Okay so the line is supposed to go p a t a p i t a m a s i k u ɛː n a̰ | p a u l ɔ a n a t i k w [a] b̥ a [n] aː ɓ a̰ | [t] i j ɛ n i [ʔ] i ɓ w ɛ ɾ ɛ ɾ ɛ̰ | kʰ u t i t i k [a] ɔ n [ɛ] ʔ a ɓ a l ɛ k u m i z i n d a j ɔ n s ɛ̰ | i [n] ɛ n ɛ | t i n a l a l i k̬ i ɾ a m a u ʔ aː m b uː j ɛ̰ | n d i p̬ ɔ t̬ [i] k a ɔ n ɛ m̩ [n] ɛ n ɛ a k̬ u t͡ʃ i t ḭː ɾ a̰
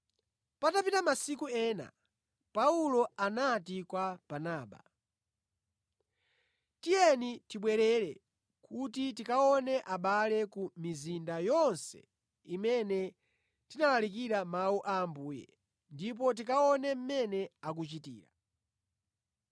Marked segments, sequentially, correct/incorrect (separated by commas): correct, correct, correct, incorrect, correct, correct, incorrect, correct, incorrect